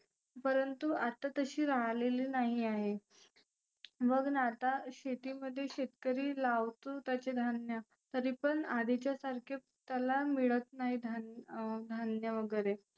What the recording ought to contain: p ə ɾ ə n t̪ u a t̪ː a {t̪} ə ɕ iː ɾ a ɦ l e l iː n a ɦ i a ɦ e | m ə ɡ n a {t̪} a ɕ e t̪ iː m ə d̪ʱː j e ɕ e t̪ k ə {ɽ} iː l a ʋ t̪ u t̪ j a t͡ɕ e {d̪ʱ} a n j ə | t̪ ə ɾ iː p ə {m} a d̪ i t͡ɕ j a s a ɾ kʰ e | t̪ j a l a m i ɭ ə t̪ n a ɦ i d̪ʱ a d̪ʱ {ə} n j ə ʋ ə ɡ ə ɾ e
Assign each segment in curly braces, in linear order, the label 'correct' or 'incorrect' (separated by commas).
correct, correct, incorrect, correct, incorrect, incorrect